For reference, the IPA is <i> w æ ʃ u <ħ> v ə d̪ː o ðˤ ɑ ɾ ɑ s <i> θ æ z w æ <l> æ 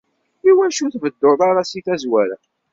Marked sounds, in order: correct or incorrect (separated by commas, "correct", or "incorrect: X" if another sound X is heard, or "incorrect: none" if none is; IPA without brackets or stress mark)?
correct, incorrect: θ, correct, incorrect: ɾ